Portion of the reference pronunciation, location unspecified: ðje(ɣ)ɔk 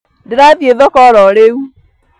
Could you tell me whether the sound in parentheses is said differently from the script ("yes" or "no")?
yes